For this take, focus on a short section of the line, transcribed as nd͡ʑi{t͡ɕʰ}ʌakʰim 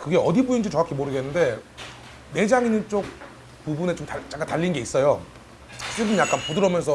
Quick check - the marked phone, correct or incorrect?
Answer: incorrect: t͡ɕ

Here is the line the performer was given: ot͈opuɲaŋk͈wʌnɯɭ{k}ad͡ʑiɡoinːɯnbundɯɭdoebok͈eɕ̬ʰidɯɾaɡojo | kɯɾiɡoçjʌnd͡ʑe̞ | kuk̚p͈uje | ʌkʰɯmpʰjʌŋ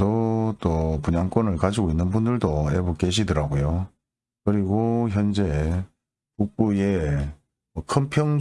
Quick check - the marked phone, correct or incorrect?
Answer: correct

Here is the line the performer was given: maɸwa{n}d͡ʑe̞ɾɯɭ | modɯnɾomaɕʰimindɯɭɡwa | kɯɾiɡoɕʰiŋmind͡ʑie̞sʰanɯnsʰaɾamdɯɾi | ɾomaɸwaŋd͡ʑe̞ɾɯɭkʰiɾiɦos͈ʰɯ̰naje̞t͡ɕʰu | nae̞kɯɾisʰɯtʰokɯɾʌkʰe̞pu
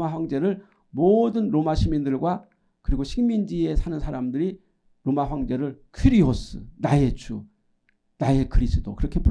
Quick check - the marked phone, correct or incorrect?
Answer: incorrect: ŋ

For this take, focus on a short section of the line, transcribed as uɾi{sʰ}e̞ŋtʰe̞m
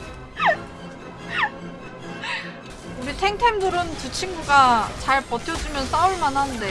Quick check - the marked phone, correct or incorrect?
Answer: incorrect: tʰ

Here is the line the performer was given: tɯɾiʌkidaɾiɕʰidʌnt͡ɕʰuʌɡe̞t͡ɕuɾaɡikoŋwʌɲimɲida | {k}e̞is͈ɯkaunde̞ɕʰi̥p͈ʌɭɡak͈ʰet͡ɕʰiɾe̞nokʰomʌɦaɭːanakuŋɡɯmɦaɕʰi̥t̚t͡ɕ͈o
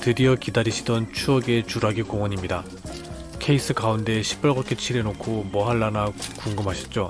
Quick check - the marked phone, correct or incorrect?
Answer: incorrect: kʰ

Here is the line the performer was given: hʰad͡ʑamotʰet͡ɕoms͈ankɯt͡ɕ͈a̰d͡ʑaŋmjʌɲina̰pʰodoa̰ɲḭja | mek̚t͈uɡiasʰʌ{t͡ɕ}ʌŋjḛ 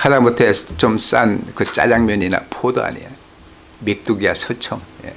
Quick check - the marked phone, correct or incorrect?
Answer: incorrect: t͡ɕʰ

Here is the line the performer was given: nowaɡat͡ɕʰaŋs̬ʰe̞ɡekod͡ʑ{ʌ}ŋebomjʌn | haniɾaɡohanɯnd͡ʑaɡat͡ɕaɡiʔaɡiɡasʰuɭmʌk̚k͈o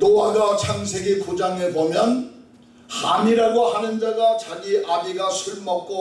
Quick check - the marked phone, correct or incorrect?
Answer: incorrect: a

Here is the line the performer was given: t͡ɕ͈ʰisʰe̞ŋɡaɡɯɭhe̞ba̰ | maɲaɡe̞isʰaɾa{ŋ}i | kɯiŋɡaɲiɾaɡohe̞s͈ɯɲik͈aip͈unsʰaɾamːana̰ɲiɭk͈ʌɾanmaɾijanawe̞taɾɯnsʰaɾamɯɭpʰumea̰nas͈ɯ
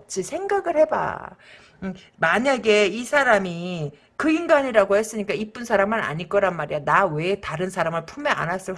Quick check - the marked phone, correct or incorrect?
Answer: incorrect: m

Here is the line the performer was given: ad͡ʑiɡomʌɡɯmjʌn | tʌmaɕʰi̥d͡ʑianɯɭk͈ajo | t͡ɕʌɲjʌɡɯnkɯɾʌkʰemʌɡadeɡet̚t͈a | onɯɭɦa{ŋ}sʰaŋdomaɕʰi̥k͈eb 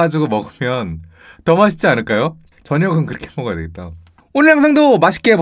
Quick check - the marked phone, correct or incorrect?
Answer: correct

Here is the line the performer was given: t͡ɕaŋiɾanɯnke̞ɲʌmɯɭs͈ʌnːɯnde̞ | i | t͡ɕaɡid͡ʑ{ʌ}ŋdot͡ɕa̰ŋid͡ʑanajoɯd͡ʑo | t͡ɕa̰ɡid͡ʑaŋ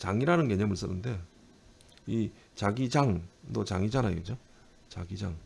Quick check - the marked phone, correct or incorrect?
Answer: incorrect: a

